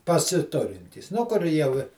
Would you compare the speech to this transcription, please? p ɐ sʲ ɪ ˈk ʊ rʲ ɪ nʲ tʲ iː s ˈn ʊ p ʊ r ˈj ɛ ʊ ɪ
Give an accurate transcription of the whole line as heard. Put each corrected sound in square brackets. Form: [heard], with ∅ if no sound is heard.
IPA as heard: p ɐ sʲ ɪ [ˈt] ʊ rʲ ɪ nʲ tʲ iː s ˈn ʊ [k] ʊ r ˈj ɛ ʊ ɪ

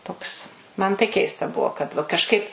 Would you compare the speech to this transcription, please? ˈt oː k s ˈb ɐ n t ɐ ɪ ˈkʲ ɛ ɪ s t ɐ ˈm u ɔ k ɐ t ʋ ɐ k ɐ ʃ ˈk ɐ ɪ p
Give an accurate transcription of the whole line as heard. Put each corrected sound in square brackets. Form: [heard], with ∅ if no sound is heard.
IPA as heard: ˈt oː k s [ˈm] ɐ n t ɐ ɪ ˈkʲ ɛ ɪ s t ɐ [ˈb] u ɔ k ɐ t ʋ ɐ k ɐ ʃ ˈk ɐ ɪ p

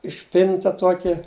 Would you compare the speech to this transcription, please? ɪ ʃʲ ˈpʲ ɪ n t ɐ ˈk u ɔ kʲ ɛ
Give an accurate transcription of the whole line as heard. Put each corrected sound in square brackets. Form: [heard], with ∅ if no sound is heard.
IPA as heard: ɪ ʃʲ ˈpʲ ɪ n t ɐ [ˈt] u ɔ kʲ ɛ

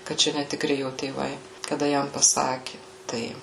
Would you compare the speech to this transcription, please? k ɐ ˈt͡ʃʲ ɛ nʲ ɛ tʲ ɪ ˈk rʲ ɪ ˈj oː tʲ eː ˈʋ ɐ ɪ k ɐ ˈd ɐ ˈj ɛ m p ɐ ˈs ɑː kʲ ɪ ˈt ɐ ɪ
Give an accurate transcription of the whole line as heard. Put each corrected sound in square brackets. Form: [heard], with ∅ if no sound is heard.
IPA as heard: k ɐ ˈt͡ʃʲ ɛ nʲ ɛ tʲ ɪ ˈk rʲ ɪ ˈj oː tʲ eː ˈʋ ɐ ɪ k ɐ ˈd ɐ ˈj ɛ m p ɐ ˈs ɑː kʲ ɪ ˈt ɐ ɪ

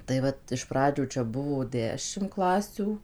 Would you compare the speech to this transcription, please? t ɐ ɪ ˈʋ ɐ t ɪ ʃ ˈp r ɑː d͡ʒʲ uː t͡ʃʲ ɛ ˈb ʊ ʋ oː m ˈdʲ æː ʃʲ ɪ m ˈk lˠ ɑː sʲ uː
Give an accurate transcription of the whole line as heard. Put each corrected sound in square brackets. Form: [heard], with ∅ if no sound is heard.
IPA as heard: t ɐ ɪ ˈʋ ɐ t ɪ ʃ ˈp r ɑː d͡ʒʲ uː t͡ʃʲ ɛ ˈb ʊ ʋ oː [∅] ˈdʲ æː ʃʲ ɪ m ˈk lˠ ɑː sʲ uː

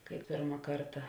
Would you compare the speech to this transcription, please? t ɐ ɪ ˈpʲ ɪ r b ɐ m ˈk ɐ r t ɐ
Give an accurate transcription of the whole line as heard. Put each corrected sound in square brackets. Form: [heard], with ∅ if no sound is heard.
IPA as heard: [k] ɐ ɪ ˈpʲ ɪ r [m] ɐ [∅] ˈk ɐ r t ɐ

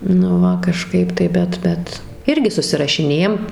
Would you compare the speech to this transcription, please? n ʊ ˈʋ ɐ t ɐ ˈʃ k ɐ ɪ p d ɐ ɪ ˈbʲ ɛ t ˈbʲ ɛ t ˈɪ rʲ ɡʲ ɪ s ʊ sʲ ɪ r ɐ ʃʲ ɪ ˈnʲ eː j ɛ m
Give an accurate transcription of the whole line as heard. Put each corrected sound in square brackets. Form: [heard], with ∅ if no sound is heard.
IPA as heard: n ʊ ˈʋ ɐ [k] ɐ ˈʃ k ɐ ɪ p [t] ɐ ɪ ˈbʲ ɛ t ˈbʲ ɛ t ˈɪ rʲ ɡʲ ɪ s ʊ sʲ ɪ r ɐ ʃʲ ɪ ˈnʲ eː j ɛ m

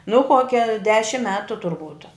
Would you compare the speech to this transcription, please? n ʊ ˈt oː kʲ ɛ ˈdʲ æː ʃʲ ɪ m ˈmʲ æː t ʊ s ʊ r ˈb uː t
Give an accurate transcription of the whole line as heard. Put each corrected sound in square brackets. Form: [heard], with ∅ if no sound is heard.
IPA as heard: n ʊ [ˈk] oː kʲ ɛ ˈdʲ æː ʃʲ ɪ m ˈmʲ æː t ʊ [t] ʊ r ˈb uː t

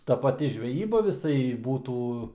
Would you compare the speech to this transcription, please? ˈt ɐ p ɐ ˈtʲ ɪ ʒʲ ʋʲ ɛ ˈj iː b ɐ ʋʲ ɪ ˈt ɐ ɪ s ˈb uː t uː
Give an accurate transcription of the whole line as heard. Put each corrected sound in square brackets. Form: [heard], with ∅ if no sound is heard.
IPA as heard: ˈt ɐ p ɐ ˈtʲ ɪ ʒʲ ʋʲ ɛ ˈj iː b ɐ ʋʲ ɪ [ˈs] ɐ ɪ [∅] ˈb uː t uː

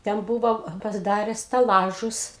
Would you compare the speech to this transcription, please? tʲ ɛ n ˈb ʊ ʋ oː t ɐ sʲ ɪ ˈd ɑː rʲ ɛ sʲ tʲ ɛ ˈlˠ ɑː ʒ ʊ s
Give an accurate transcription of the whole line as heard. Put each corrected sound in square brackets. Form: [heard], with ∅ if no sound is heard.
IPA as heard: tʲ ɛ n ˈb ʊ ʋ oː [p] ɐ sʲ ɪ ˈd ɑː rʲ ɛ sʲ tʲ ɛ ˈlˠ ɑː ʒ ʊ s

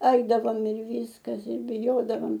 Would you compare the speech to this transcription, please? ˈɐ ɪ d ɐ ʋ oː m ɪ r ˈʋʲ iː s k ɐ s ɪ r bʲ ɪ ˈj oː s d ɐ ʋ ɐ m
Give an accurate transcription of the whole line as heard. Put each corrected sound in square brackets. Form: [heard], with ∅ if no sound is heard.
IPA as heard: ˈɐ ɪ d ɐ ʋ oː m ɪ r ˈʋʲ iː s k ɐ s ɪ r bʲ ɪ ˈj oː [∅] d ɐ ʋ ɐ m

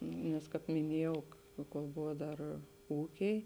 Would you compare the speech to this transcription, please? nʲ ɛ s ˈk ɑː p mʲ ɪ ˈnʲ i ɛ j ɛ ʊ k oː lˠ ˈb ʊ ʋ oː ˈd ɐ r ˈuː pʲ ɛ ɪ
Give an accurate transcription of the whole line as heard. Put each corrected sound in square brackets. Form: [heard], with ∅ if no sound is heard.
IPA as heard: nʲ ɛ s ˈk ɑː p mʲ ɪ ˈnʲ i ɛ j ɛ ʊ k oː lˠ ˈb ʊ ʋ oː ˈd ɐ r ˈuː [kʲ] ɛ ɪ

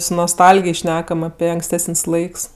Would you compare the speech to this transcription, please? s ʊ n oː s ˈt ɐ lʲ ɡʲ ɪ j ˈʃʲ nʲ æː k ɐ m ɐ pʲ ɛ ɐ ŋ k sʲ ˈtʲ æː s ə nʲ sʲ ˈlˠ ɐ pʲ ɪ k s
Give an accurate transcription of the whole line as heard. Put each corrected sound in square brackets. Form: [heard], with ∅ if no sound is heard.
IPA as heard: s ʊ n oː s ˈt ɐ lʲ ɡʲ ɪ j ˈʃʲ nʲ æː k ɐ m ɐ pʲ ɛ ɐ ŋ k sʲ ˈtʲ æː s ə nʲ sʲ ˈlˠ ɐ [∅] ɪ k s

